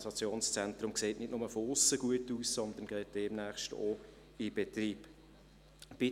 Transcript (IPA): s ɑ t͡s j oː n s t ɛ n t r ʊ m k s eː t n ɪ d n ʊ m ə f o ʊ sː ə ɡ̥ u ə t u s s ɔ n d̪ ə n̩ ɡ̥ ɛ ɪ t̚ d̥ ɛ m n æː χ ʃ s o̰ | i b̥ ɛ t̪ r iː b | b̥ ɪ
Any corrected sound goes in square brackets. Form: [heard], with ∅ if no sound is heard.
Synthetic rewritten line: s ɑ t͡s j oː n s [t͡s] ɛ n t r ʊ m k s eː t n ɪ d n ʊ m ə f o ʊ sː ə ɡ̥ u ə t [uː] s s ɔ n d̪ ə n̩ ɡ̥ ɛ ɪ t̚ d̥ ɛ m n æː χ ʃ [t] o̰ | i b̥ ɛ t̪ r iː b | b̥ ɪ